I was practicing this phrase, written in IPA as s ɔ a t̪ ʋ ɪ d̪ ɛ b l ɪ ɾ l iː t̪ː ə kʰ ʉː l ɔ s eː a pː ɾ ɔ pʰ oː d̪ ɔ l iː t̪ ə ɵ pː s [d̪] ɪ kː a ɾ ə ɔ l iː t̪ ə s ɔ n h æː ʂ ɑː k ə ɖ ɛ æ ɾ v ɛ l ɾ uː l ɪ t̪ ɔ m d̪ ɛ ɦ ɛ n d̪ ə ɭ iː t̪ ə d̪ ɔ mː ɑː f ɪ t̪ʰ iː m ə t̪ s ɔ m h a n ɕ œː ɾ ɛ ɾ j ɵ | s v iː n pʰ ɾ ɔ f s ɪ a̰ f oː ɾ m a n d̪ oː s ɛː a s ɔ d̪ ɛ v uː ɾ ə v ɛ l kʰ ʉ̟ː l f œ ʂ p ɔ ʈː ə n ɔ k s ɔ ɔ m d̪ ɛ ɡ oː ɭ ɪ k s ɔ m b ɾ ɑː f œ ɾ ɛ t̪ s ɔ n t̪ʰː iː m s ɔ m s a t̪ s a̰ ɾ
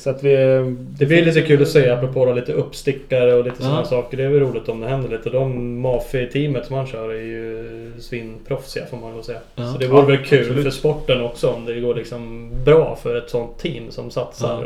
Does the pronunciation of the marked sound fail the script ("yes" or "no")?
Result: yes